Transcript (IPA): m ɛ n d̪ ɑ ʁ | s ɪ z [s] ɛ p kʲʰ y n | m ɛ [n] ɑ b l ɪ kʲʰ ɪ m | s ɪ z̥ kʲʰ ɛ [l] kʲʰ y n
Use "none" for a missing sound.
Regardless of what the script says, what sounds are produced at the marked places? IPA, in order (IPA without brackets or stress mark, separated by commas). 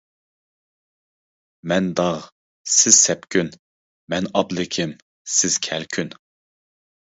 s, n, l